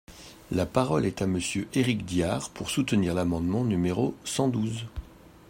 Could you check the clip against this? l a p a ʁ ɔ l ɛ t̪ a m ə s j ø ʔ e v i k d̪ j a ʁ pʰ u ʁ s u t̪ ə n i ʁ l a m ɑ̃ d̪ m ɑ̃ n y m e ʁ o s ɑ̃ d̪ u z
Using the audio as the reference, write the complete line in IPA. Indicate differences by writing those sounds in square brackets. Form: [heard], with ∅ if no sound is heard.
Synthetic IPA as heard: l a p a ʁ ɔ l ɛ t̪ a m ə s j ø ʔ e [ʁ] i k d̪ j a ʁ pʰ u ʁ s u t̪ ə n i ʁ l a m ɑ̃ d̪ m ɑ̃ n y m e ʁ o s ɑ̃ d̪ u z

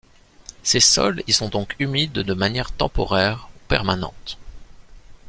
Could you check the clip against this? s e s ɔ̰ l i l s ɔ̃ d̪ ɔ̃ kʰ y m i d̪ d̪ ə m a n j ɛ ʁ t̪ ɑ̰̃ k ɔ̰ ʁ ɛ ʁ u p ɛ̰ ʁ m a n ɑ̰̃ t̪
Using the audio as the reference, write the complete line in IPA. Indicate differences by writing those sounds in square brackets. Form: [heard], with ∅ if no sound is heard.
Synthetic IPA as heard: s e s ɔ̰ l i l s ɔ̃ d̪ ɔ̃ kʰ y m i d̪ d̪ ə m a n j ɛ ʁ t̪ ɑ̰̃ [p] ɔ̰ ʁ ɛ ʁ u p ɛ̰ ʁ m a n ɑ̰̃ t̪

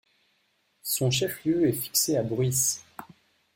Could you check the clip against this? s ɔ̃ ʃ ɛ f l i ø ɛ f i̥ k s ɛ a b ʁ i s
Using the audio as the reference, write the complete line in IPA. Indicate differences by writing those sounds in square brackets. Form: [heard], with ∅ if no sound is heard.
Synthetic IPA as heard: s ɔ̃ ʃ ɛ f l [j] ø ɛ f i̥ k s [e] a b ʁ i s

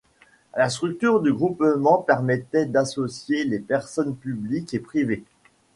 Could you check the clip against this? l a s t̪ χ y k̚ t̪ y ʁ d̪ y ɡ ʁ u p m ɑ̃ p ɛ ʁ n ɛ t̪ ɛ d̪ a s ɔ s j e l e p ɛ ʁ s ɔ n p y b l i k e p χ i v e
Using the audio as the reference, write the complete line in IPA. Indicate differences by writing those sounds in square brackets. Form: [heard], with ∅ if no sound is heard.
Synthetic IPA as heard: l a s t̪ χ y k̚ t̪ y ʁ d̪ y ɡ ʁ u p m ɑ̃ p ɛ ʁ [m] ɛ t̪ ɛ d̪ a s ɔ s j e l e p ɛ ʁ s ɔ n p y b l i k e p χ i v e

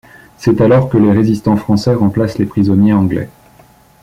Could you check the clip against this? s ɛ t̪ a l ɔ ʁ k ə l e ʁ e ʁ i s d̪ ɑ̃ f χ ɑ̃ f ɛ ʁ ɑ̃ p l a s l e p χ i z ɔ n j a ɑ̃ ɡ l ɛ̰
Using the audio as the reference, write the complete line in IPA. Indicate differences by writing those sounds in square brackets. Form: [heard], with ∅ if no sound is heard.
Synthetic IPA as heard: s ɛ t̪ a l ɔ ʁ k ə l e ʁ e [z] i s [t̪] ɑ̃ f χ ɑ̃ [s] ɛ ʁ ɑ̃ p l a s l e p χ i z ɔ n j [e] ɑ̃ ɡ l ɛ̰

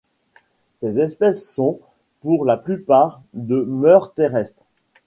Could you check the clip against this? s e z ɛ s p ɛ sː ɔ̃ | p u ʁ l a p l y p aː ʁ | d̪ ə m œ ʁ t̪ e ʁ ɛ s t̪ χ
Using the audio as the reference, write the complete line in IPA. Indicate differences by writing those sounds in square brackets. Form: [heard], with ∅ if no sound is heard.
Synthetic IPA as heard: s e z ɛ s p ɛ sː ɔ̃ | p u ʁ l a p l y p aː ʁ | d̪ ə m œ ʁ t̪ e ʁ ɛ s t̪ χ

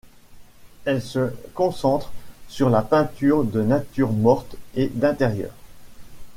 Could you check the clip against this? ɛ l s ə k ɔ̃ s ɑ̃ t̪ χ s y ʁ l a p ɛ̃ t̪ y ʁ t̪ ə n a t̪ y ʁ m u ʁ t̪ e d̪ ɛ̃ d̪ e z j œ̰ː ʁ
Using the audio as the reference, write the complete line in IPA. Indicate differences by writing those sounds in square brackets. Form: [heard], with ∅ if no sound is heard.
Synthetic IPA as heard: ɛ l s ə k ɔ̃ s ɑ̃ t̪ χ s y ʁ l a p ɛ̃ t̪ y ʁ [d̪] ə n a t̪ y ʁ m [ɔ] ʁ t̪ e d̪ ɛ̃ [t̪] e [ʁ] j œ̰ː ʁ

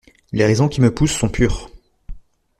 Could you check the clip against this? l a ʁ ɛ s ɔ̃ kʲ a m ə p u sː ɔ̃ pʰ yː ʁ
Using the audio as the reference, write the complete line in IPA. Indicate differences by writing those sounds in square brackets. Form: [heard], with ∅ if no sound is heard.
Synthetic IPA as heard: l [e] ʁ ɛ [z] ɔ̃ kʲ [i] m ə p u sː ɔ̃ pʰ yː ʁ

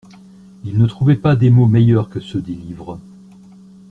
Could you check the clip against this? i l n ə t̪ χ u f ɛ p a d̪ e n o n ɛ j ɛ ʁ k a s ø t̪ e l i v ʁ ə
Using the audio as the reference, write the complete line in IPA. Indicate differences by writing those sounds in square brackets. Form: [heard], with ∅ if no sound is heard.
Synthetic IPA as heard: i l n ə t̪ χ u [v] ɛ p a d̪ e [m] o [m] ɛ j [œ] ʁ k [ə] s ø [d̪] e l i v ʁ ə

